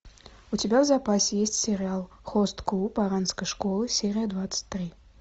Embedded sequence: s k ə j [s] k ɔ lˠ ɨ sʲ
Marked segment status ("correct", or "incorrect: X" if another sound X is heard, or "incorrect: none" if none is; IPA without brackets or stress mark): incorrect: ʂ